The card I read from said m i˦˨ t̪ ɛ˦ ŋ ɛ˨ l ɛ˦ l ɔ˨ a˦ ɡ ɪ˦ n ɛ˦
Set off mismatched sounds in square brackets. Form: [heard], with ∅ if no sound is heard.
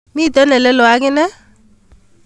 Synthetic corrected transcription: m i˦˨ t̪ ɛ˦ [n] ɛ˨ l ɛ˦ l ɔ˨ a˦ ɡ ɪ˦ n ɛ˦